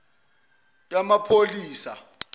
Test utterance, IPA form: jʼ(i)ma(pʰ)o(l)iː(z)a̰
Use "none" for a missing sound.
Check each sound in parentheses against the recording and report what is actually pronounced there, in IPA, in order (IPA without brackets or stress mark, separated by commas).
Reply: a, pʰ, l, s